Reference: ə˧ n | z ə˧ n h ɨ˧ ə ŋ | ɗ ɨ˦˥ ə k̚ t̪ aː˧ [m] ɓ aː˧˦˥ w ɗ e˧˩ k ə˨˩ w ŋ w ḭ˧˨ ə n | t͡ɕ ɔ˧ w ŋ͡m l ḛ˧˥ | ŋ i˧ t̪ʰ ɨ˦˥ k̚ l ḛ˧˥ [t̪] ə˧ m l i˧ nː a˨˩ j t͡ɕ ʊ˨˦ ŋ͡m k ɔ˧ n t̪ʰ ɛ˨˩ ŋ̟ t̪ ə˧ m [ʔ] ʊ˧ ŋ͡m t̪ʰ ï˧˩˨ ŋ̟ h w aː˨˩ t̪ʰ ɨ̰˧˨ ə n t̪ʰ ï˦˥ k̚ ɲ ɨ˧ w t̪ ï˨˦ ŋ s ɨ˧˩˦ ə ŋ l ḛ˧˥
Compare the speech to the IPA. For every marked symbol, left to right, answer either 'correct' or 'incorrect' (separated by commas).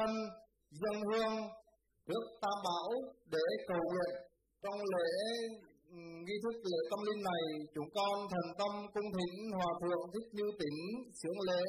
correct, correct, incorrect